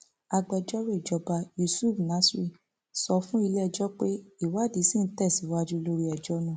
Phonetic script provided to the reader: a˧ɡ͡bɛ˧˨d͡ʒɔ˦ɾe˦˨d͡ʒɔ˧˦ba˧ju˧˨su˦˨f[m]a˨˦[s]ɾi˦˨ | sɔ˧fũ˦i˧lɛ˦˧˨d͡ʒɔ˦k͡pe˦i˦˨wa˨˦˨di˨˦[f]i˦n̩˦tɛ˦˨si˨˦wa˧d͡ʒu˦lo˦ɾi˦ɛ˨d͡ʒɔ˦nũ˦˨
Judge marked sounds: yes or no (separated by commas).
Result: no, yes, no